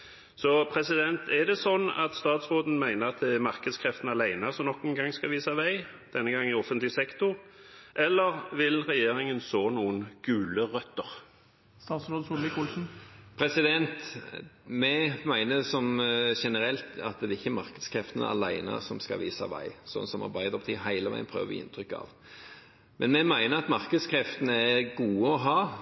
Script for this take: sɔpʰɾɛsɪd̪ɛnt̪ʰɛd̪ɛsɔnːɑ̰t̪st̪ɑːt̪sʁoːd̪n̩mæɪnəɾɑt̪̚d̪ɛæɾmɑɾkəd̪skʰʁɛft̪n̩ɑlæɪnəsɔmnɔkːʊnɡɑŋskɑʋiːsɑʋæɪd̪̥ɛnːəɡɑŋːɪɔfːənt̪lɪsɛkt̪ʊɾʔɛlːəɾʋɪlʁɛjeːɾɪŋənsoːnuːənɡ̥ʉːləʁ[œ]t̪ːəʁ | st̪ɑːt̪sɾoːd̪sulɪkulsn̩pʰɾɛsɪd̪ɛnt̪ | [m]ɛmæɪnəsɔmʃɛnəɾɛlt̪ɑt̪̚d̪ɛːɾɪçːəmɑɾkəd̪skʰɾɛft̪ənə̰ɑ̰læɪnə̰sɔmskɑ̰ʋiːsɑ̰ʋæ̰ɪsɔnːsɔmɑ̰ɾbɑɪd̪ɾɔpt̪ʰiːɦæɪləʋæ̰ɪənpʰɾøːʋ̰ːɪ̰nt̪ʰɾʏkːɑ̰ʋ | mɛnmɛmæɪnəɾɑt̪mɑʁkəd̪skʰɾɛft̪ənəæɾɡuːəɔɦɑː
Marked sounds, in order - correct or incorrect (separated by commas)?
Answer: correct, correct